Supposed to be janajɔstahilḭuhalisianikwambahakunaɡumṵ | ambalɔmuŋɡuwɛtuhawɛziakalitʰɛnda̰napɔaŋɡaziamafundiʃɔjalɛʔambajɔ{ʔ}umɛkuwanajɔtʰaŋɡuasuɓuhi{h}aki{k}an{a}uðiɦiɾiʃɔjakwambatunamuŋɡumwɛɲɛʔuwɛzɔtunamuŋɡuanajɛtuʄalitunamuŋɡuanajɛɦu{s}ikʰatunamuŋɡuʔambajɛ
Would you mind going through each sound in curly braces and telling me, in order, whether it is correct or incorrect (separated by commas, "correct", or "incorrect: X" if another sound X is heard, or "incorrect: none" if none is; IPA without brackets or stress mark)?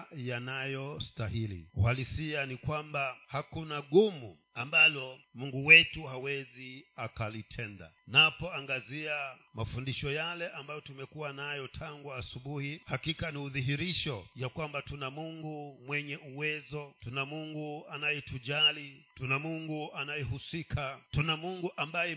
incorrect: t, correct, correct, incorrect: i, correct